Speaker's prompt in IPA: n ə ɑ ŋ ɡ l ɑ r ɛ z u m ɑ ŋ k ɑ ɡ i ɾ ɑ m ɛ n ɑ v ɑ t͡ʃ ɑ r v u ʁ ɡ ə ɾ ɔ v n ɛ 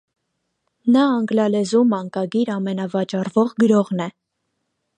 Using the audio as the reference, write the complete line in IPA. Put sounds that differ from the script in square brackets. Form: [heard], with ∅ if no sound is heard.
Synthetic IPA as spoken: n [ɑ] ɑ ŋ ɡ l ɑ [l] ɛ z u m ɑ ŋ k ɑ ɡ i ɾ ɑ m ɛ n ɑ v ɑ t͡ʃ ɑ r v [ɔ] ʁ ɡ ə ɾ ɔ [ʁ] n ɛ